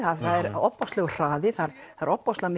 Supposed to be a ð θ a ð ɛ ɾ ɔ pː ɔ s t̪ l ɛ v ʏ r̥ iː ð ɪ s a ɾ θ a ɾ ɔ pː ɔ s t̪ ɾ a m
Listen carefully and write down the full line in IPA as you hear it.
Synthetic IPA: a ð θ a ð ɛ ɾ ɔ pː ɔ s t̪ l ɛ ɣ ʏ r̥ aː ð ɪ θ a ɾ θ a ɾ ɔ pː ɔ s t̪ l a m